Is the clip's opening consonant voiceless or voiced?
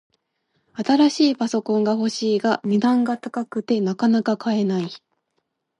voiceless